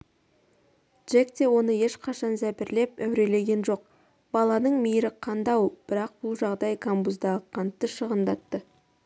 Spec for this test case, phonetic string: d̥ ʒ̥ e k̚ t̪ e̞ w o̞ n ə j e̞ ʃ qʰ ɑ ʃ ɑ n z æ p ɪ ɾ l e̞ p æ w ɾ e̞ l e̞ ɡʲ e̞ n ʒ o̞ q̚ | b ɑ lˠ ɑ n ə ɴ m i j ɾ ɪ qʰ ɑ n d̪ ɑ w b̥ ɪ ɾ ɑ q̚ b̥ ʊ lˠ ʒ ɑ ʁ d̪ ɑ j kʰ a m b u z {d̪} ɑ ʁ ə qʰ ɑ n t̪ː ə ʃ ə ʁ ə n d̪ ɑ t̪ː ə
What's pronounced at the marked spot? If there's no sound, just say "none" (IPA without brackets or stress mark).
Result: d̪